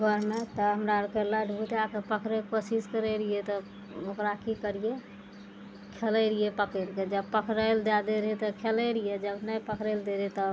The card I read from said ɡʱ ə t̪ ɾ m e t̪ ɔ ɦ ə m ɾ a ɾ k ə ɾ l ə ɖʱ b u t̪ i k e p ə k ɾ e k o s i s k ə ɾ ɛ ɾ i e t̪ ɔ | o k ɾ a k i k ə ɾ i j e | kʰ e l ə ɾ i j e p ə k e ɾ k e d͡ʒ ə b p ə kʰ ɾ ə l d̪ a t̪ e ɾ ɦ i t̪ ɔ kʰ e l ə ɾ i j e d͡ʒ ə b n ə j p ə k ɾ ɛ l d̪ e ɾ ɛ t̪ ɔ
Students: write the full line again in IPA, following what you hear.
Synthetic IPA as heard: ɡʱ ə ɾ m e t̪ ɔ ɦ ə m ɾ a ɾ k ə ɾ l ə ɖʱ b u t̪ a k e p ə k ɾ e k o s i s k ə ɾ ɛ ɾ i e t̪ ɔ | o k ɾ a k i k ə ɾ i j e | kʰ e l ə ɾ i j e p ə k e ɾ k e d͡ʒ ə b p ə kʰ ɾ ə l d̪ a d̪ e ɾ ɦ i t̪ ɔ kʰ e l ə ɾ i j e d͡ʒ ə b n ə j p ə k ɾ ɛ l d̪ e ɾ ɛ t̪ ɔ

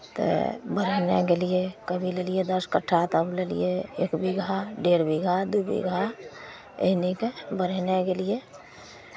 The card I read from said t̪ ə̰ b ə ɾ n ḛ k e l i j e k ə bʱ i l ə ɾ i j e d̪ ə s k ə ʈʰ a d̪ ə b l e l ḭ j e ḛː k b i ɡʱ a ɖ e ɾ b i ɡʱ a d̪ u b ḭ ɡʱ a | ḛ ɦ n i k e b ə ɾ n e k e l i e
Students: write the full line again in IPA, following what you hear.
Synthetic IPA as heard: t̪ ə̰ b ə ɾ n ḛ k e l i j e k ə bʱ i l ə l i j e d̪ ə s k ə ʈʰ a t̪ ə b l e l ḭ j e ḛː k b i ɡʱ a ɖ e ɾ b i ɡʱ a d̪ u b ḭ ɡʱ a | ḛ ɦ n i k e b ə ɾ n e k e l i e

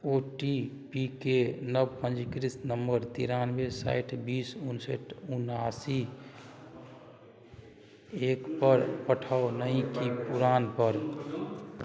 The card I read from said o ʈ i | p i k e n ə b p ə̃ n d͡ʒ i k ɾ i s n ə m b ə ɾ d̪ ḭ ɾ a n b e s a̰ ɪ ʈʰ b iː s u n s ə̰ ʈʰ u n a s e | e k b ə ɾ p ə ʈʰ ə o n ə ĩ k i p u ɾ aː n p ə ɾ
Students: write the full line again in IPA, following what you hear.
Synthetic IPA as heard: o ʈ i | p i k e n ə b p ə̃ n d͡ʒ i k ɾ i s n ə m b ə ɾ t̪ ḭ ɾ a n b e s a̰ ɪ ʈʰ b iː s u n s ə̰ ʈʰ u n a s i | e k p ə ɾ p ə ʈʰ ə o n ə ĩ k i p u ɾ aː n p ə ɾ

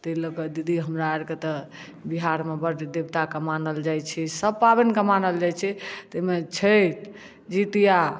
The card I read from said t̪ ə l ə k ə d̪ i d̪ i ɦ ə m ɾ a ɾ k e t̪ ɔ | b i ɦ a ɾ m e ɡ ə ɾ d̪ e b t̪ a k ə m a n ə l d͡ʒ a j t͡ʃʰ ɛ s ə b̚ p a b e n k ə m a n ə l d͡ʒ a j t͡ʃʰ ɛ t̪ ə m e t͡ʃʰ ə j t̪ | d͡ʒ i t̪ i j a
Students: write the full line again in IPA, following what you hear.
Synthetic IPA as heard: t̪ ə l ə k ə d̪ i d̪ i ɦ ə m ɾ a ɾ k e t̪ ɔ | b i ɦ a ɾ m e b ə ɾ d̪ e b t̪ a k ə m a n ə l d͡ʒ a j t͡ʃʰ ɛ s ə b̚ p a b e n k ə m a n ə l d͡ʒ a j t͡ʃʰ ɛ t̪ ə m e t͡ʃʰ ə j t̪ | d͡ʒ i t̪ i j a

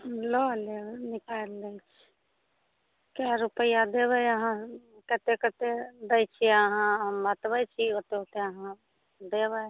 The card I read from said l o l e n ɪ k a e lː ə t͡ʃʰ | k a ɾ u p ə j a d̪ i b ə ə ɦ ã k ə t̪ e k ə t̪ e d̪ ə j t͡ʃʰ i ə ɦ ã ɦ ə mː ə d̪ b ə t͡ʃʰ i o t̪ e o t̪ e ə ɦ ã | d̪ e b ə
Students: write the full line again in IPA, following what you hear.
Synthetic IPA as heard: l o l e n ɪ k a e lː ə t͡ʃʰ | k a ɾ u p ə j a d̪ e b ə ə ɦ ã k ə t̪ e k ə t̪ e d̪ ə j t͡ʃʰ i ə ɦ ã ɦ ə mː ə t̪ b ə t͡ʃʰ i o t̪ e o t̪ e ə ɦ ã | d̪ e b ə

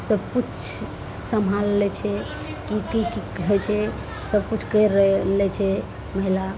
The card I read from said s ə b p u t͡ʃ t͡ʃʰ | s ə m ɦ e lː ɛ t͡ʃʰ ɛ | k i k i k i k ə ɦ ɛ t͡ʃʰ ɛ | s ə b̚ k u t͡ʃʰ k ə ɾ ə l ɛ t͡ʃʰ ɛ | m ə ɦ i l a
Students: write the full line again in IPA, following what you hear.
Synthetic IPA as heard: s ə b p u t͡ʃ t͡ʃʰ | s ə m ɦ a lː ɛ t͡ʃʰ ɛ | k i k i k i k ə ɦ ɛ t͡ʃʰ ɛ | s ə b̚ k u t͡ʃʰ k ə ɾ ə l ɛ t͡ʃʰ ɛ | m ə ɦ i l a

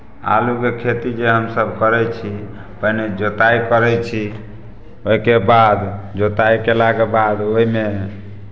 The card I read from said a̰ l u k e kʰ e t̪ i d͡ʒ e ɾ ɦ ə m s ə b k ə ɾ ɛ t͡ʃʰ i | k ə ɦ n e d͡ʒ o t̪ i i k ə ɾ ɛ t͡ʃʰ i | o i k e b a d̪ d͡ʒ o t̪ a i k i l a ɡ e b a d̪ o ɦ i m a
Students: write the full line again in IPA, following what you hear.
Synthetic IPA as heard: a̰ l u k e kʰ e t̪ i d͡ʒ e ɦ ə m s ə b k ə ɾ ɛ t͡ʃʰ i | p ə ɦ n e d͡ʒ o t̪ a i k ə ɾ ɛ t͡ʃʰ i | o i k e b a d̪ d͡ʒ o t̪ a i k e l a ɡ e b a d̪ o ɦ i m e

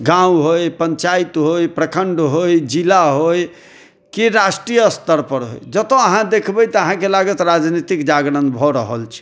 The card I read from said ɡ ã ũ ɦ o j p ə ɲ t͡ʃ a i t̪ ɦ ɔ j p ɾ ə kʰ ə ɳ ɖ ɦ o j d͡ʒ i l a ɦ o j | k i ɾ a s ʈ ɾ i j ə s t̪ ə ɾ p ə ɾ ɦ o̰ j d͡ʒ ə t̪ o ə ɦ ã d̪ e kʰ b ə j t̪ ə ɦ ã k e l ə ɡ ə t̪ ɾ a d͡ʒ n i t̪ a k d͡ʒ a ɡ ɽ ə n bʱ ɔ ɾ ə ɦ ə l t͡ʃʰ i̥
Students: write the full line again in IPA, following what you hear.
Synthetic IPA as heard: ɡ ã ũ ɦ o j p ə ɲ t͡ʃ a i t̪ ɦ o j p ɾ ə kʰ ə ɳ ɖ ɦ o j d͡ʒ i l a ɦ o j | k i ɾ a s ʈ ɾ i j ə s t̪ ə ɾ p ə ɾ ɦ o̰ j d͡ʒ ə t̪ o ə ɦ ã d̪ e kʰ b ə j t̪ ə ɦ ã k e l a ɡ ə t̪ ɾ a d͡ʒ n i t̪ i k d͡ʒ a ɡ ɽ ə n bʱ ɔ ɾ ə ɦ ə l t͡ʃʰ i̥

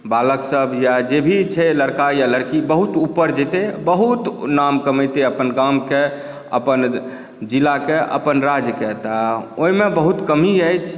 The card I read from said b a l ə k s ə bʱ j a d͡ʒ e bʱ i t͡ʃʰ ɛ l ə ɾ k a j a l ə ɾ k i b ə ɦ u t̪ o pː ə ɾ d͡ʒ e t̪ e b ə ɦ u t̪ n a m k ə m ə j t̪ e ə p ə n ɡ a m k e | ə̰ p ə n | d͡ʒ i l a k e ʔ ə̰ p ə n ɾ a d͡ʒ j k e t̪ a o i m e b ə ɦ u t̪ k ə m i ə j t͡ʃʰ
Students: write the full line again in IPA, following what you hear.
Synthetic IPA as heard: b a l ə k s ə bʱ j a d͡ʒ e bʱ i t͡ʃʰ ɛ l ə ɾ k a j a l ə ɾ k i b ə ɦ u t̪ u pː ə ɾ d͡ʒ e t̪ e b ə ɦ u t̪ n a m k ə m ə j t̪ e ə p ə n ɡ a m k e | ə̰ p ə n | d͡ʒ i l a k e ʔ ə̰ p ə n ɾ a d͡ʒ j k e t̪ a o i m e b ə ɦ u t̪ k ə m i ə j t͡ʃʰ

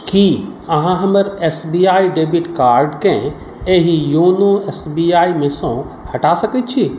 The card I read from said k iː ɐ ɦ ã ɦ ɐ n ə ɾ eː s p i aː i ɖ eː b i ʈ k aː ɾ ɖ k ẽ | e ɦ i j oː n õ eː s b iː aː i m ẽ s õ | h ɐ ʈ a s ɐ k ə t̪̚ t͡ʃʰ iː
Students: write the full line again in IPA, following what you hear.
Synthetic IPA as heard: k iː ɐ ɦ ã ɦ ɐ m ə ɾ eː s b i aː i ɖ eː b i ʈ k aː ɾ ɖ k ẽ | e ɦ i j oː n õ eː s b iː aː i m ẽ s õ | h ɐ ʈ a s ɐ k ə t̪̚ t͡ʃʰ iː

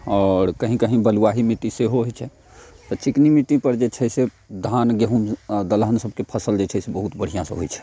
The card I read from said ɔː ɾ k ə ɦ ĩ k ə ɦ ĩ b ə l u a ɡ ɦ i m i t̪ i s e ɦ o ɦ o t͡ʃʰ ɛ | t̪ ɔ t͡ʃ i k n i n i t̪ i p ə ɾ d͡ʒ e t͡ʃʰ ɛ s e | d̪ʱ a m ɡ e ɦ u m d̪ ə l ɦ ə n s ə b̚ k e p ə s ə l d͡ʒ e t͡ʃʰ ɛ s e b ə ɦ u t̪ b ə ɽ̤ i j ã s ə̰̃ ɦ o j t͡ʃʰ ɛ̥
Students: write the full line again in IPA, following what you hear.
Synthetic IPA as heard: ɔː ɾ k ə ɦ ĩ k ə ɦ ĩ b ə l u a ɦ i m i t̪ i s e ɦ o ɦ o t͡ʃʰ ɛ | t̪ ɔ t͡ʃ i k n i m i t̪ i p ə ɾ d͡ʒ e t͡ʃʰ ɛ s e | d̪ʱ a n ɡ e ɦ u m d̪ ə l ɦ ə n s ə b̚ k e pʰ ə s ə l d͡ʒ e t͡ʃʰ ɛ s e b ə ɦ u t̪ b ə ɽ̤ i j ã s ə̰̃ ɦ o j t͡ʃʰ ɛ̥

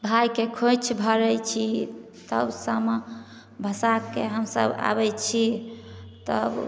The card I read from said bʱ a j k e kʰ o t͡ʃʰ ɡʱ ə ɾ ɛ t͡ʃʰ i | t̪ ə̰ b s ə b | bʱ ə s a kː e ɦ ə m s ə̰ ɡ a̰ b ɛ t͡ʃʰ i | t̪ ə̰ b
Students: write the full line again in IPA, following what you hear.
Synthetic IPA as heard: bʱ a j k e kʰ o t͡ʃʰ bʱ ə ɾ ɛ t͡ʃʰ i | t̪ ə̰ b s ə m | bʱ ə s a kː e ɦ ə m s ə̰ b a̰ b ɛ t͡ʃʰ i | t̪ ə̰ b

